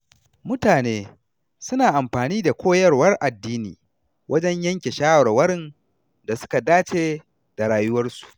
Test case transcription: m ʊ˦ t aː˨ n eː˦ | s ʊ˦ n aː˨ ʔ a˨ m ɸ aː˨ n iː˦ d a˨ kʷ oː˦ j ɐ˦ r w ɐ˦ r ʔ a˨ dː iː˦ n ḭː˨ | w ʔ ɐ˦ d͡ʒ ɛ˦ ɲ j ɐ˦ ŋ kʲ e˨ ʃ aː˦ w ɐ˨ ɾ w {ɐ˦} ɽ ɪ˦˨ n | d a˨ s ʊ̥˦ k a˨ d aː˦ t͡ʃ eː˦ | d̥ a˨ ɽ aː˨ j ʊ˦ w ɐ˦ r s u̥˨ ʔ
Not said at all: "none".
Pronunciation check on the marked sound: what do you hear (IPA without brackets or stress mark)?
ɐ˦